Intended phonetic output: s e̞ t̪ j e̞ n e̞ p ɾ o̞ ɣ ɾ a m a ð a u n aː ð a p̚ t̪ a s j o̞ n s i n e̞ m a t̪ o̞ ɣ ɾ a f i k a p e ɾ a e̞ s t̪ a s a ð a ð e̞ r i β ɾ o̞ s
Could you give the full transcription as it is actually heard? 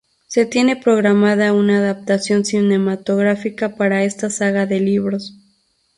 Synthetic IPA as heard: s e̞ t̪ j e̞ n e̞ p ɾ o̞ ɣ ɾ a m a ð a u n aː ð a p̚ t̪ a s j o̞ n s i n e̞ m a t̪ o̞ ɣ ɾ a f i k a p a ɾ a e̞ s t̪ a s a ɣ a ð e̞ l i β ɾ o̞ s